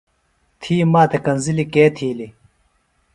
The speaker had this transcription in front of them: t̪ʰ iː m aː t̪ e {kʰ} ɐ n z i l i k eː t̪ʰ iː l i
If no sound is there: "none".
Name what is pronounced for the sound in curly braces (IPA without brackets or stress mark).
k